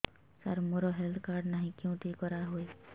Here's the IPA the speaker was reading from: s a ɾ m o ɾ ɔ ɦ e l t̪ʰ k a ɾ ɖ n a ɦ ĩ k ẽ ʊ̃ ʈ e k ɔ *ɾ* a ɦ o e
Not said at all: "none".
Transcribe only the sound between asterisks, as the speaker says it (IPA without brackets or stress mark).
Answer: ɾ